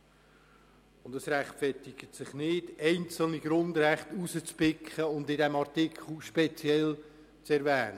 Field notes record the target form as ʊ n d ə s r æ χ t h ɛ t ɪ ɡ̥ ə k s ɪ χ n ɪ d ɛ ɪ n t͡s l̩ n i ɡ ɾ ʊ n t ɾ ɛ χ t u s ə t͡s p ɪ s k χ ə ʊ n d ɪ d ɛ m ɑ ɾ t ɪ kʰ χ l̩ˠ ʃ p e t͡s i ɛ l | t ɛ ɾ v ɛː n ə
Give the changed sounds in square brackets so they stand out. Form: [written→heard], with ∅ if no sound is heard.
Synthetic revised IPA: ʊ n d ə s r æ χ t [h→f] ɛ t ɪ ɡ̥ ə [k→t] s ɪ χ n ɪ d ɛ ɪ n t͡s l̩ n i ɡ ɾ ʊ n [t→d] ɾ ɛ χ t u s ə t͡s p ɪ [s→∅] k χ ə ʊ n d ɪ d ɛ m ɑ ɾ t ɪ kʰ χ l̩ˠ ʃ p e t͡s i ɛ l | [t→t͡s] ɛ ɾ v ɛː n ə

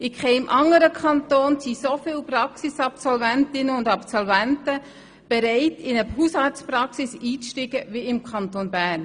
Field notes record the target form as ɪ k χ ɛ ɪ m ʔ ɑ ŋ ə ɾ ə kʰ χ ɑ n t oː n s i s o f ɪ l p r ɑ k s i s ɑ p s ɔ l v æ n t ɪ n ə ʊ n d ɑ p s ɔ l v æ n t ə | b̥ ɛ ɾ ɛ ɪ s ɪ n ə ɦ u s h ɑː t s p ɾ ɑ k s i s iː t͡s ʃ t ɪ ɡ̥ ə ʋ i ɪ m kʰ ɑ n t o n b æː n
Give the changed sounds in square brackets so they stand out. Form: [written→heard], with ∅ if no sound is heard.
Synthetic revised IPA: ɪ k χ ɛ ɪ m ʔ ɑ ŋ ə ɾ ə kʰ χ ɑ n t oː n s i s o f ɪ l p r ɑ k s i s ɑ p s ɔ l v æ n t ɪ n ə ʊ n d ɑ p s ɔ l v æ n t ə | b̥ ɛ ɾ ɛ ɪ [s→t] ɪ n ə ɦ u s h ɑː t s p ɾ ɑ k s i s iː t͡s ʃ t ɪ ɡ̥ ə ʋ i ɪ m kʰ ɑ n t o n b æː n

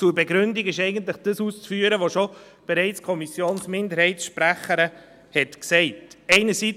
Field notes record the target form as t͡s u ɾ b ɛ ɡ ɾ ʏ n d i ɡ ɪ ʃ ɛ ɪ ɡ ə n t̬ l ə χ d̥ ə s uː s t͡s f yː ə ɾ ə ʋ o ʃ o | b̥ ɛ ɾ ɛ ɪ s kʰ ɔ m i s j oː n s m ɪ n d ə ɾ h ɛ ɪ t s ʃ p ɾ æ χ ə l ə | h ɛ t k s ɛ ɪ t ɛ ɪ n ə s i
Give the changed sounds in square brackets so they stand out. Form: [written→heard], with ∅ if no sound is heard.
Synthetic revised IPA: t͡s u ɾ b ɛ ɡ ɾ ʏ n d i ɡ ɪ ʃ ɛ ɪ ɡ ə n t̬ l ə χ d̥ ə s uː s t͡s f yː ə ɾ ə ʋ o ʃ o | b̥ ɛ ɾ ɛ ɪ [s→t͡s] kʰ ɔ m i s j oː n s m ɪ n d ə ɾ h ɛ ɪ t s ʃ p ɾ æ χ ə [l→ɾ] ə | h ɛ t k s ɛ ɪ t ɛ ɪ n ə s i

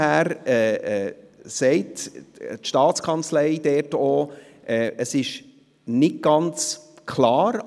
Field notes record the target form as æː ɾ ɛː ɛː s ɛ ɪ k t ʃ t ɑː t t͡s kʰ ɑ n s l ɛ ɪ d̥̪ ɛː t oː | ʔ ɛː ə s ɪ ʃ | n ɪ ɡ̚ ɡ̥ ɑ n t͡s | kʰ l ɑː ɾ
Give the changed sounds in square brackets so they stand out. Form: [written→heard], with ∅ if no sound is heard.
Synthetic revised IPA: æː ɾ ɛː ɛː s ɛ ɪ [k→t] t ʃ t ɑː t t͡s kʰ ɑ n [s→t͡s] l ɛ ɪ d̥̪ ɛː t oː | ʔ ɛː ə s ɪ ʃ | n ɪ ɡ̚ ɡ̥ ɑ n t͡s | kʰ l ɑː ɾ

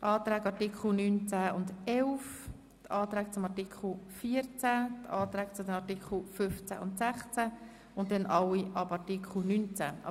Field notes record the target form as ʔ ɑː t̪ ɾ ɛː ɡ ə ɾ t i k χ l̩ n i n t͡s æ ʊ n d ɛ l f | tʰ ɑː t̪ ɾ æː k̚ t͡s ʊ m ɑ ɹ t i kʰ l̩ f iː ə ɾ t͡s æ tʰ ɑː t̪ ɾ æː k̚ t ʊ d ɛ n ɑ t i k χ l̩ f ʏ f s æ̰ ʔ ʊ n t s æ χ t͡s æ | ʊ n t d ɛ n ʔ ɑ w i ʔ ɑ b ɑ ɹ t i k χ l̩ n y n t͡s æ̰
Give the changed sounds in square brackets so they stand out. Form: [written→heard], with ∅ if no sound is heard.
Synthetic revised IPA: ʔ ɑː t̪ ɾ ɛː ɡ [ə→ɑ] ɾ t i k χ l̩ n [i→y] n t͡s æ ʊ n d ɛ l f | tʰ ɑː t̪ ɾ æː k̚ t͡s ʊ m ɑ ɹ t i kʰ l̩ f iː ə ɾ t͡s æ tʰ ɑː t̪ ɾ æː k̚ [t→t͡s] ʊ d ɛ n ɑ t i k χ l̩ f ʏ f [s→t͡s] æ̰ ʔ ʊ n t s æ χ t͡s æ | ʊ n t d ɛ n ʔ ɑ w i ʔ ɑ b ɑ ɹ t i k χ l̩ n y n t͡s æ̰

